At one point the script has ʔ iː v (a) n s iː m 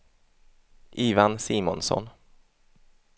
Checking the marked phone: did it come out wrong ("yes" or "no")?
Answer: no